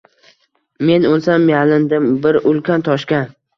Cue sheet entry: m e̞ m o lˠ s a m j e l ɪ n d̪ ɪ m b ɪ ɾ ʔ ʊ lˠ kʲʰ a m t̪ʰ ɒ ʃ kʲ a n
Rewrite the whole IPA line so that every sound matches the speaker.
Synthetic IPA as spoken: m e̞ n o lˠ s a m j a l ɪ n d̪ ɪ m b ɪ ɾ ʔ ʊ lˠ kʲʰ a n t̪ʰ ɒ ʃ kʲ a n

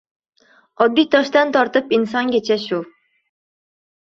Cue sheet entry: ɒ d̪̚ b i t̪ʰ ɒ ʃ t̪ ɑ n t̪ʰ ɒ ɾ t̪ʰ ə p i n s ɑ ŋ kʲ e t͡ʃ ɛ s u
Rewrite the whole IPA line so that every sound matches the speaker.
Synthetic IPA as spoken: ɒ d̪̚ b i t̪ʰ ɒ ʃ t̪ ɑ n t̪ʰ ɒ ɾ t̪ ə p i n s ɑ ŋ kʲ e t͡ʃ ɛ ʃ u

